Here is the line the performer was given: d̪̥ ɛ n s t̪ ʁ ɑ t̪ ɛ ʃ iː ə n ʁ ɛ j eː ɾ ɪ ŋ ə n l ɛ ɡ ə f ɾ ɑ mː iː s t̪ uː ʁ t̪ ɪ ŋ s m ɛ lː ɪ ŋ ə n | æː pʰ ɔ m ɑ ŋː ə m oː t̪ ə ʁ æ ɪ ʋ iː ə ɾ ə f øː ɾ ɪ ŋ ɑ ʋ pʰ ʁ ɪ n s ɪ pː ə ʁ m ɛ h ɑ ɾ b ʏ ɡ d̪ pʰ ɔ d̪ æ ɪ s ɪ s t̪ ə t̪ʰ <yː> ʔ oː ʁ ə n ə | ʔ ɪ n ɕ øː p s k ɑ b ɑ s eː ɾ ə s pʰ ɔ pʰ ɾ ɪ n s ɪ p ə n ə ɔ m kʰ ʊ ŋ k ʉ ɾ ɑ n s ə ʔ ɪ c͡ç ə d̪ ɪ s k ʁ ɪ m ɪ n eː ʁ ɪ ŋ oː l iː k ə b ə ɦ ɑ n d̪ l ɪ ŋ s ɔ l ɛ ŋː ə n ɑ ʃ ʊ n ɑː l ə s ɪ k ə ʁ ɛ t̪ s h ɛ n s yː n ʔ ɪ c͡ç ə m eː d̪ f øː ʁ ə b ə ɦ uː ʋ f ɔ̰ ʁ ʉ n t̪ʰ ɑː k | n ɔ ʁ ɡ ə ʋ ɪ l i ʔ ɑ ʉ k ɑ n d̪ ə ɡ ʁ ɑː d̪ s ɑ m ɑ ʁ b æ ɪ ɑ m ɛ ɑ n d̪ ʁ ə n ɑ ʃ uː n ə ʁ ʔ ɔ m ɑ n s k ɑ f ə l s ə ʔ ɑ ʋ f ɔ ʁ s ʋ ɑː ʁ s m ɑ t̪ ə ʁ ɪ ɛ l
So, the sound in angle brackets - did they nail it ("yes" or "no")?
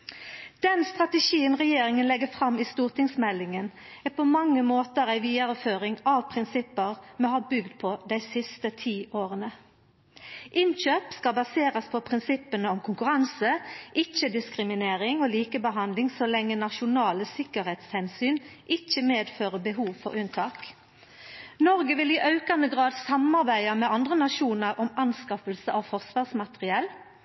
no